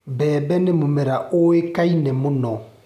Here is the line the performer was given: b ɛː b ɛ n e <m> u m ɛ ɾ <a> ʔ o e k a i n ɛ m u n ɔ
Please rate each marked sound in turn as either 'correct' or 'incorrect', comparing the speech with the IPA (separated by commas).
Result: correct, correct